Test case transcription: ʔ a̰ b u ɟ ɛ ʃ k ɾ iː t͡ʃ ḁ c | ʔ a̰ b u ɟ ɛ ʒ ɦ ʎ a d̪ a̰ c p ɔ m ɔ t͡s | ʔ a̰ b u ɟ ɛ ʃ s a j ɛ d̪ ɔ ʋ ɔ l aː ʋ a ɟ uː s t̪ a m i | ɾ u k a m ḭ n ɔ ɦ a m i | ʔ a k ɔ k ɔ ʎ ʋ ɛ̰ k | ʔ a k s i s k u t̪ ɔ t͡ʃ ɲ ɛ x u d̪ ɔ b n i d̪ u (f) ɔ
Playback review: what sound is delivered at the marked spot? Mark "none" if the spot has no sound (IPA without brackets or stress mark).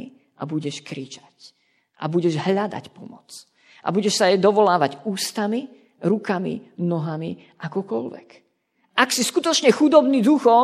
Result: x